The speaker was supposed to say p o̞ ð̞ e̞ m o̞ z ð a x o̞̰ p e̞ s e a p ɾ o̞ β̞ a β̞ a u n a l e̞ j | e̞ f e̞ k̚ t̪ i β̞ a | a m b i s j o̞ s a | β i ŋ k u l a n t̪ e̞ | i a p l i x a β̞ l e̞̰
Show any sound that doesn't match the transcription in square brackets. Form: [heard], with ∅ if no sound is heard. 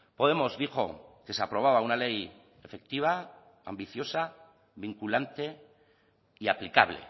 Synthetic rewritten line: p o̞ ð̞ e̞ m o̞ z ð [i] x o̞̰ [k] e̞ s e a p ɾ o̞ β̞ a β̞ a u n a l e̞ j | e̞ f e̞ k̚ t̪ i β̞ a | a m b i [θ] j o̞ s a | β i ŋ k u l a n t̪ e̞ | i a p l i [k] a β̞ l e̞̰